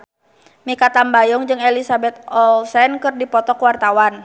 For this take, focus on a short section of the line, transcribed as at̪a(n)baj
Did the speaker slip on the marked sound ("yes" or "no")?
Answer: yes